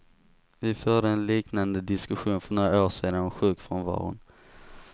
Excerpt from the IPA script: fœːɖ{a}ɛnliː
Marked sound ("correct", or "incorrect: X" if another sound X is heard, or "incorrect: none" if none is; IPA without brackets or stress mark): incorrect: ə